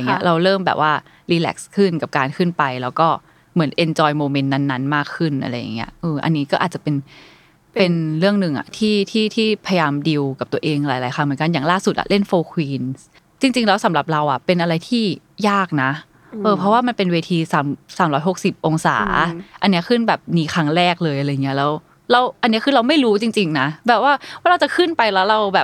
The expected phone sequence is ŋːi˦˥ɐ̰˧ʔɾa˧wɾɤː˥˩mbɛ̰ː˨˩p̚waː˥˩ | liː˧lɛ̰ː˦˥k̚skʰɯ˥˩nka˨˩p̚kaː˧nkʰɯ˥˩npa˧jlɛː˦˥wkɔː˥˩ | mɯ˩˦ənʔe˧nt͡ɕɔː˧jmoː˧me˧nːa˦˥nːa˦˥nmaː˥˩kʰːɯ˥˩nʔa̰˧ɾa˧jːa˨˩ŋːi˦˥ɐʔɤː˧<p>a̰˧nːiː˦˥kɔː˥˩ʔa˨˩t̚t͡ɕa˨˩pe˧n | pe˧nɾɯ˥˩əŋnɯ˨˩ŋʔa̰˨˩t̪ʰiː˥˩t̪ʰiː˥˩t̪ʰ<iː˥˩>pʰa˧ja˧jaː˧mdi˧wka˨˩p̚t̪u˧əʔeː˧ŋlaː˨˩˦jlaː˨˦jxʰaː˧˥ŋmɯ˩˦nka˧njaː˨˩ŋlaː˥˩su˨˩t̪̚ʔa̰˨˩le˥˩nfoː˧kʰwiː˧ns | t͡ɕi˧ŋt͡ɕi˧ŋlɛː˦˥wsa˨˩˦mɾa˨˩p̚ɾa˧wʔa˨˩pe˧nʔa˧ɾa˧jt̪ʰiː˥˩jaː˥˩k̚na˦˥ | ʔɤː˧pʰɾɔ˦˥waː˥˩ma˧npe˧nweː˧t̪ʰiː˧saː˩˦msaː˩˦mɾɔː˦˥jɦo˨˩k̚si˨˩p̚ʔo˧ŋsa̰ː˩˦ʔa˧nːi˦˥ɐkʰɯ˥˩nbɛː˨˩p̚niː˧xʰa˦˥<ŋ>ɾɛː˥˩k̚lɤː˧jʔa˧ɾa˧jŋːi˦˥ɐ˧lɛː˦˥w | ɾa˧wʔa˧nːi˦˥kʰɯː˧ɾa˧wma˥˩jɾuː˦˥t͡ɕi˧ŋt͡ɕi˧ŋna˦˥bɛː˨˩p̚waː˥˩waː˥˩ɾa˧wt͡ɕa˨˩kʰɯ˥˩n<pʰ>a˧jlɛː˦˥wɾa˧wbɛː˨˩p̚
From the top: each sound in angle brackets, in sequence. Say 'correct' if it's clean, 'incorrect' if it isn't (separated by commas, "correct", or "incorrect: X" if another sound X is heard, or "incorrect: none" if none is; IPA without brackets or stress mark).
incorrect: ʔ, correct, correct, incorrect: p